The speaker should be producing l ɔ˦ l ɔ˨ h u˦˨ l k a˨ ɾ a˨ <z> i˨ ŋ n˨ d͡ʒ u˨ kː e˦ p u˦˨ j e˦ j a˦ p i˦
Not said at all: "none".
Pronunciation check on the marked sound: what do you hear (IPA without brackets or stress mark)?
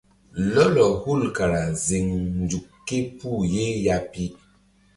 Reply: z